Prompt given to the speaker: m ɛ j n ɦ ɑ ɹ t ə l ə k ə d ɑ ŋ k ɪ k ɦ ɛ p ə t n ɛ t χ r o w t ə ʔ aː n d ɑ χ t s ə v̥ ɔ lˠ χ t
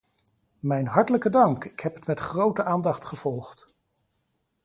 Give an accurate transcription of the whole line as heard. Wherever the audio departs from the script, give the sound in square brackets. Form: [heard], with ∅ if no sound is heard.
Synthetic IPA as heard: m ɛ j n ɦ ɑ ɹ t ə l ə k ə d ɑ ŋ k ɪ k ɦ ɛ p ə t [m] ɛ t χ r o w t ə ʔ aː n d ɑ χ t [χ] ə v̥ ɔ lˠ χ t